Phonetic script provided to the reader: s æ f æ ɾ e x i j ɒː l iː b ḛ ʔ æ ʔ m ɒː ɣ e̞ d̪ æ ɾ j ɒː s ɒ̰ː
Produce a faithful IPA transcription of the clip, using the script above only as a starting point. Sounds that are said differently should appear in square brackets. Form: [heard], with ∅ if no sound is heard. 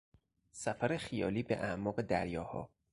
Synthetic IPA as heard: s æ f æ ɾ e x i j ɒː l iː b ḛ ʔ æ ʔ m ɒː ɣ e̞ d̪ æ ɾ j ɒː [h] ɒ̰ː